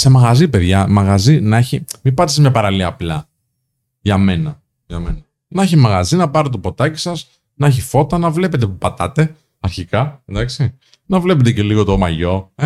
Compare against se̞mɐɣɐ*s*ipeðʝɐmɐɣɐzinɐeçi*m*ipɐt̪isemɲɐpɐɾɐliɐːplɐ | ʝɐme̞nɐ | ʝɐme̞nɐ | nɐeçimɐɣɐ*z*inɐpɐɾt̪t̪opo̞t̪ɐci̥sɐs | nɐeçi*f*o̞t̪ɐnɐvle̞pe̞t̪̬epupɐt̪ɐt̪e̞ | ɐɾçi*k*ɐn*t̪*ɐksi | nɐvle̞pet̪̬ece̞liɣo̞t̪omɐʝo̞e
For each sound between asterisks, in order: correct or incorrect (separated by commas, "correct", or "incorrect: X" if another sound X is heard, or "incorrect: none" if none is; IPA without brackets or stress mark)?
incorrect: z, correct, correct, correct, correct, incorrect: d̪